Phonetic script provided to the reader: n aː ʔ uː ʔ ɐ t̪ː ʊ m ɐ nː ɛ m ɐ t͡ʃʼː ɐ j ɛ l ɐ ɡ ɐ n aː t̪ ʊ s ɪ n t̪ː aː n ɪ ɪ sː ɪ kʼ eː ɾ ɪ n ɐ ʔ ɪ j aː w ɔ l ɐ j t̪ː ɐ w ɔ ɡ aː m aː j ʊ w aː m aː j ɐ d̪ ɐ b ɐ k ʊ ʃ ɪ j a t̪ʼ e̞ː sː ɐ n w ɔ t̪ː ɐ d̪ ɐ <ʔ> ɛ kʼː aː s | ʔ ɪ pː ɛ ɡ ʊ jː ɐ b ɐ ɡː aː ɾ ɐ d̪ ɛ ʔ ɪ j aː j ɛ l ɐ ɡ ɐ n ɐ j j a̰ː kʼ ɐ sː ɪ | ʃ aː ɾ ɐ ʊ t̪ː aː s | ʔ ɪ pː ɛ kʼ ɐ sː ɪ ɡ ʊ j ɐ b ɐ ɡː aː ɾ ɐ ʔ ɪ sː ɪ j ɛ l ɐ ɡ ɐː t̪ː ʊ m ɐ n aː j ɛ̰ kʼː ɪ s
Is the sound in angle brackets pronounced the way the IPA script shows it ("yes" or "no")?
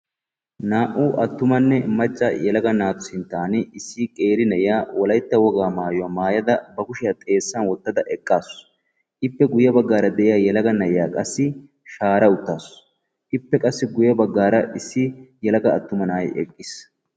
yes